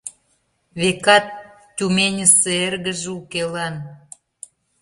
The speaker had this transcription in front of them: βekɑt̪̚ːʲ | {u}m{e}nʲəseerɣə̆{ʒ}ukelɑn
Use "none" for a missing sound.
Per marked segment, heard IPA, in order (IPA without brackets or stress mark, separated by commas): u, e, ʒ